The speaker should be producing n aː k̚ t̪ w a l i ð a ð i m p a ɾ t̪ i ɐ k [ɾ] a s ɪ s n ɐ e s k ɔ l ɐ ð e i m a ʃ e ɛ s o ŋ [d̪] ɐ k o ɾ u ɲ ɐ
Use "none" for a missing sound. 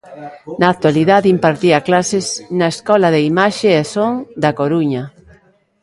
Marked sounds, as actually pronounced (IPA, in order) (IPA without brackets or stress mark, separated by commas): l, d̪